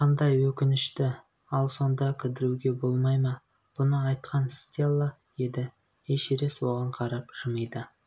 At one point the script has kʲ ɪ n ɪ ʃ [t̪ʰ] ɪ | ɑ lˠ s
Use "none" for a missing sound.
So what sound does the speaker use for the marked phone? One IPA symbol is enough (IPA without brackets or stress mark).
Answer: t̪